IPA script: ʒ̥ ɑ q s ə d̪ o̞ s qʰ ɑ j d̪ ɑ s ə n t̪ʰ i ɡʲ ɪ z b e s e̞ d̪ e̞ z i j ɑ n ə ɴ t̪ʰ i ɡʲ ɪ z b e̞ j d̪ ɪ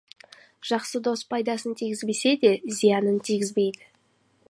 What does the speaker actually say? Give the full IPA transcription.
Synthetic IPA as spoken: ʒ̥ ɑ q s ə d̪ o̞ s pʰ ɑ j d̪ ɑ s ə n t̪ʰ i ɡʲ ɪ z b e s e̞ d̪ e̞ z i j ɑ n ə n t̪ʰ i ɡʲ ɪ z b e̞ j d̪ ɪ